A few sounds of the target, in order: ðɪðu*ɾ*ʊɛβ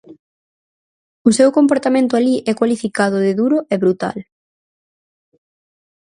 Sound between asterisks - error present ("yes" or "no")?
no